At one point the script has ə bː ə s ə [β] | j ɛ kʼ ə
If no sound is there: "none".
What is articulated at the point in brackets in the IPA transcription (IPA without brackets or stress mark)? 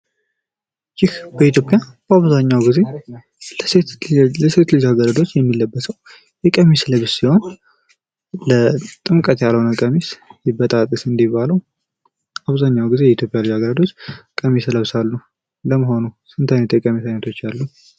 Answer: w